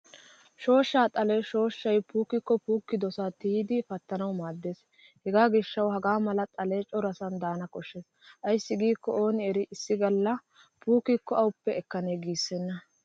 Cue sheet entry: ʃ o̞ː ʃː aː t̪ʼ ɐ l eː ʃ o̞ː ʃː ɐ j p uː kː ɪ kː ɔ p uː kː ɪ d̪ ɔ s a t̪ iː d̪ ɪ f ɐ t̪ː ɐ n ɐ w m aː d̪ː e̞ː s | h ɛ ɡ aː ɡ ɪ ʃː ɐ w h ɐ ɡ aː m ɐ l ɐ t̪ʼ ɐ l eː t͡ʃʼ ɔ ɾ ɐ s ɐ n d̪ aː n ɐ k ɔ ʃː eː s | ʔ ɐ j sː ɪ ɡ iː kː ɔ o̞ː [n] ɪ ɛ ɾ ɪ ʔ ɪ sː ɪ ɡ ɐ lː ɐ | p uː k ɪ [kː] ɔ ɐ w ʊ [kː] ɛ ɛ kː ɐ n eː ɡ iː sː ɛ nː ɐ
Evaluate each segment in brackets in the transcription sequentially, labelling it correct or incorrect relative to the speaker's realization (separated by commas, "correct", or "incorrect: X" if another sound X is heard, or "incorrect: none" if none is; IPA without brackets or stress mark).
correct, correct, incorrect: pː